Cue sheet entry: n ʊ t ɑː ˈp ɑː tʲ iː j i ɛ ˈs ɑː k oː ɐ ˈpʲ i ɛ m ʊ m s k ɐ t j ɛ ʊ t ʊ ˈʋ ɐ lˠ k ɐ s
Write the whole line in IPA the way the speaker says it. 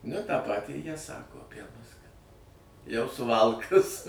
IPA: n ʊ t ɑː ˈp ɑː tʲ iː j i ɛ ˈs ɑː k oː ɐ ˈpʲ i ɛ m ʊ s k ɐ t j ɛ ʊ s ʊ ˈʋ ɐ lˠ k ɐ s